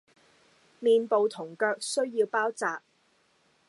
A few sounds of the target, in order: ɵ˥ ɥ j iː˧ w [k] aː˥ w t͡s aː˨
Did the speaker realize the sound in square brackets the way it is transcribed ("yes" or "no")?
no